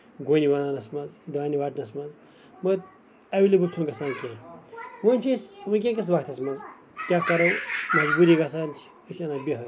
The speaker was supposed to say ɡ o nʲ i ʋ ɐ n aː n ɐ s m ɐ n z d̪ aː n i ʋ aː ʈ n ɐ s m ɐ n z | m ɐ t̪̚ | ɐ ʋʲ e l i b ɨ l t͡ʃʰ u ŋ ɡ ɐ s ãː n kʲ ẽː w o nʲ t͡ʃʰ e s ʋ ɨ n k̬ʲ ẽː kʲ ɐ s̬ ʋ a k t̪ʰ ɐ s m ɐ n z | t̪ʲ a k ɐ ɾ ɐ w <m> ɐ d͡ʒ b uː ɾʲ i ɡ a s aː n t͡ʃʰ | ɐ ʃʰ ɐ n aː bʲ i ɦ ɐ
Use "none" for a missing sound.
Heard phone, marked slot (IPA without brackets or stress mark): m